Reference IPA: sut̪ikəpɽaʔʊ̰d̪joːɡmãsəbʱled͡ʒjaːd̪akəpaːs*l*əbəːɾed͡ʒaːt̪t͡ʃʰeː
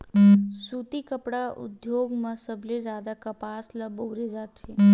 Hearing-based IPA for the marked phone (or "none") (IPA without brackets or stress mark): l